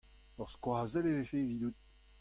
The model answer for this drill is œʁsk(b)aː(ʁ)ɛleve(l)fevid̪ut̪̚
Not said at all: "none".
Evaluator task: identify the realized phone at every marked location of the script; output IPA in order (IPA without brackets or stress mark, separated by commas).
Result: w, z, none